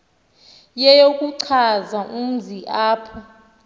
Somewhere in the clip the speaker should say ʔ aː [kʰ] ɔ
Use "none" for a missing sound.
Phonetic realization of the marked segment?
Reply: pʰ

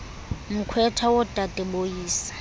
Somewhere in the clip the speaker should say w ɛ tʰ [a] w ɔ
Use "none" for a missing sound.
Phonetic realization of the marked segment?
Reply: a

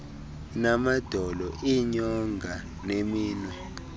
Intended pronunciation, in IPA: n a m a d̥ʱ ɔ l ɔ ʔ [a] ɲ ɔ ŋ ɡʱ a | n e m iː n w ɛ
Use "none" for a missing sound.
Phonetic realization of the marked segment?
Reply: i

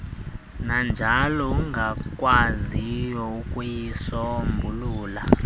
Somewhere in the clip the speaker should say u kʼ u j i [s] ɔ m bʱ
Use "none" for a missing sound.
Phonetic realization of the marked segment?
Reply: s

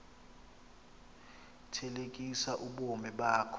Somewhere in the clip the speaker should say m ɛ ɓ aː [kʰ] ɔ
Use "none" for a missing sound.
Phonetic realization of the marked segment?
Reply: kʰ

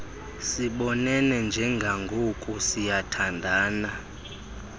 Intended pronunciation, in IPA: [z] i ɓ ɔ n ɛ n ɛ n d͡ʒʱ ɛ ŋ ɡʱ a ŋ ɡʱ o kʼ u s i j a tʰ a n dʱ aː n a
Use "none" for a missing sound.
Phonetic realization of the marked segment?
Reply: s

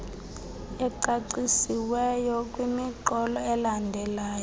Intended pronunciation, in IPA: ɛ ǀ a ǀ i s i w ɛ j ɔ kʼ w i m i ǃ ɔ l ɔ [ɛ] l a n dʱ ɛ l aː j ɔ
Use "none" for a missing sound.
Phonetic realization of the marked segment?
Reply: ɛ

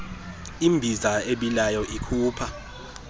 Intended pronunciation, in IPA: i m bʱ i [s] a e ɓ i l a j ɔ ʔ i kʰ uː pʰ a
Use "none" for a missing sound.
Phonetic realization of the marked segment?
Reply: z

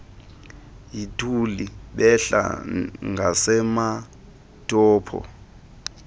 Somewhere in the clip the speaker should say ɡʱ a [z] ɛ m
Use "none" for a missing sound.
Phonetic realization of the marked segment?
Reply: s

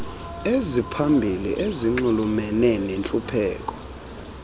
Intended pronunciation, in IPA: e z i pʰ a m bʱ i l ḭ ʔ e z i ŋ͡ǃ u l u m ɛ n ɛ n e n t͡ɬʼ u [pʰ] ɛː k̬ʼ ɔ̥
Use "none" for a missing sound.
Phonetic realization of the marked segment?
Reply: pʰ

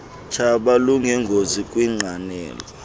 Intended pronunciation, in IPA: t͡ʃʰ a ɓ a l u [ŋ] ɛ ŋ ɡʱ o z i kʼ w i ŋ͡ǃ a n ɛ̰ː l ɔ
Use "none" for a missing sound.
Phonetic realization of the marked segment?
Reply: ŋ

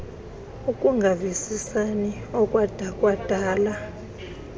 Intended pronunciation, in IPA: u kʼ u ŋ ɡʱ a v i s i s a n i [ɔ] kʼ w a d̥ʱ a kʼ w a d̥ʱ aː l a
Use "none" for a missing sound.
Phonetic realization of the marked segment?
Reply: ɔ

